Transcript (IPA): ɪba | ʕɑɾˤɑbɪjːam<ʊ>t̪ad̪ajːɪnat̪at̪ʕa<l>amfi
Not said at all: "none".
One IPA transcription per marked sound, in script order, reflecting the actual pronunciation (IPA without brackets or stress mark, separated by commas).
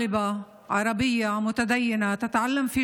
ʊ, lː